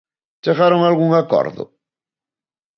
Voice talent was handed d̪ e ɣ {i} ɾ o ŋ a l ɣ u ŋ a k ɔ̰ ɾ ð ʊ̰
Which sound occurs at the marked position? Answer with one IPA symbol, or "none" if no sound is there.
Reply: a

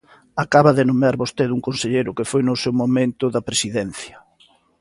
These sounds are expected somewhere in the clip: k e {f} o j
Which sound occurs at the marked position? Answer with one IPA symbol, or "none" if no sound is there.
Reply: f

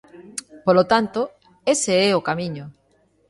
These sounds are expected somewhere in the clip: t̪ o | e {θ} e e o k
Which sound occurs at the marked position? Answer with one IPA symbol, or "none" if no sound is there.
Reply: s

